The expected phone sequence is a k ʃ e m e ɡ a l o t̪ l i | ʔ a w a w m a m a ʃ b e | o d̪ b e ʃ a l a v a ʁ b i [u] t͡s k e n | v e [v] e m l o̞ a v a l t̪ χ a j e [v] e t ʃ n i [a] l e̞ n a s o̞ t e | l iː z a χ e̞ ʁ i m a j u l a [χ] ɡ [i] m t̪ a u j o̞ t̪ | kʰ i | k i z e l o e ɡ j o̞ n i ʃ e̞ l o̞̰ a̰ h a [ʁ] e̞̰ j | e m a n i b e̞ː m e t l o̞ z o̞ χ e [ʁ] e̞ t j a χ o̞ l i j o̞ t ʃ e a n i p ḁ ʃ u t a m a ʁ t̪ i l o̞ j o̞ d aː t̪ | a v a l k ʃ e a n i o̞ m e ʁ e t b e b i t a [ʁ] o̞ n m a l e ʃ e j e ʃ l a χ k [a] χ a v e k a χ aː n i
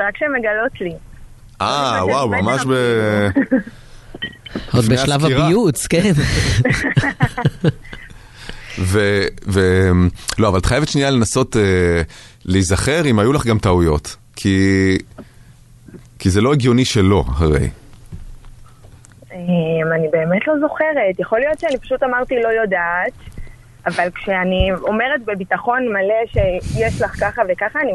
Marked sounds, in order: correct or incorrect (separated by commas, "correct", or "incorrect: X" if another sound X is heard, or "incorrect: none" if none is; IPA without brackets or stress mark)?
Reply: correct, correct, correct, correct, correct, incorrect: a, correct, correct, incorrect: χ, correct